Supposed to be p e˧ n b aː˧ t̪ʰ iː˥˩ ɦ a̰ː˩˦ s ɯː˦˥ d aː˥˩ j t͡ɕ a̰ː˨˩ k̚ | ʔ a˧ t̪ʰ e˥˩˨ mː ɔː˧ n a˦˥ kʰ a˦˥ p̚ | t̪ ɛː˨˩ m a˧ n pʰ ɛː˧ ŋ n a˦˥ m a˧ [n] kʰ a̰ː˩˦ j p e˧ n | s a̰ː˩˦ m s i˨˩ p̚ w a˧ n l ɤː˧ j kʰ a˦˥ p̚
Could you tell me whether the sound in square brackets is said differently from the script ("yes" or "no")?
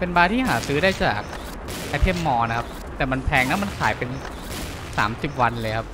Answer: no